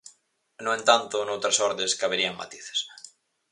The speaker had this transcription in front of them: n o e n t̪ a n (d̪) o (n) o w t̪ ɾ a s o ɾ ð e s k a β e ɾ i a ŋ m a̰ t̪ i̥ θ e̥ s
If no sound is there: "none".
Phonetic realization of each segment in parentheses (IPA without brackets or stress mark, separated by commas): t̪, n